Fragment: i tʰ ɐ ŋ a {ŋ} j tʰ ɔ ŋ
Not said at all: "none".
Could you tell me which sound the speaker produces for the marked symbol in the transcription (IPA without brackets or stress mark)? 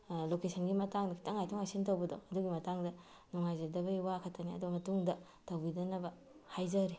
none